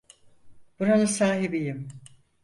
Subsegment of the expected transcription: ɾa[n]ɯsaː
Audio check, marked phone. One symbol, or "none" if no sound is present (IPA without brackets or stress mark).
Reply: n